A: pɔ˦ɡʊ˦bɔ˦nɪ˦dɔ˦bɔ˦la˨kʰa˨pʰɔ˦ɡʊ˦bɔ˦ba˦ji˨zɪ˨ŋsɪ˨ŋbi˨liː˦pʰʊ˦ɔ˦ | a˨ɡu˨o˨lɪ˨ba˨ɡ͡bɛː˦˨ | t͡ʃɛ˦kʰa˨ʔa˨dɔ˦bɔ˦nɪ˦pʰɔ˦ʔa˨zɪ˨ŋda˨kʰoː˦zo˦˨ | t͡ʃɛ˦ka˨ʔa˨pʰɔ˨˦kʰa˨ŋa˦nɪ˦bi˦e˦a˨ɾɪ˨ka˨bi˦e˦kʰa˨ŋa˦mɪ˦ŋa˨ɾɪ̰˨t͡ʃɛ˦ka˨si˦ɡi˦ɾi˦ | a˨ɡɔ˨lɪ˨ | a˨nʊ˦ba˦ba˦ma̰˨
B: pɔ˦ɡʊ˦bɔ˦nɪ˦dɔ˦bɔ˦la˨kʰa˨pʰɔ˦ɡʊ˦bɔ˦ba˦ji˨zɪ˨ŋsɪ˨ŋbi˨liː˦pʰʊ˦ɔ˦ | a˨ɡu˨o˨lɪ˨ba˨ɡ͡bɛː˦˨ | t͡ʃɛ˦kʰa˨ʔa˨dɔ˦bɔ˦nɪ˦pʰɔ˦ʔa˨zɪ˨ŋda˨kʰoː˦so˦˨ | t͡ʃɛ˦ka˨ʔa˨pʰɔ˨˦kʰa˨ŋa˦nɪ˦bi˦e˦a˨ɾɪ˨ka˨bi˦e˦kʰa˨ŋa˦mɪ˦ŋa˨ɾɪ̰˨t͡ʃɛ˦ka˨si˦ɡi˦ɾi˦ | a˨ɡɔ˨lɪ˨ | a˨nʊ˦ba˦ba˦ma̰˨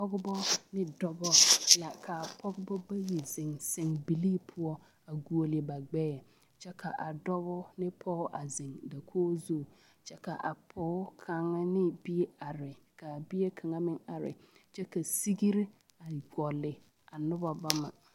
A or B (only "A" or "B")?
A